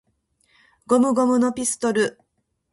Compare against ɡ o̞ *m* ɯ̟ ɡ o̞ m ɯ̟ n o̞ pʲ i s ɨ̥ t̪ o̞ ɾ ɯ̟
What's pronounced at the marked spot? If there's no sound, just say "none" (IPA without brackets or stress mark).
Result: m